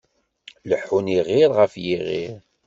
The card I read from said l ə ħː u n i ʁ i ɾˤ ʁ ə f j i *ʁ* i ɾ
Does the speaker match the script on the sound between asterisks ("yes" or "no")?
yes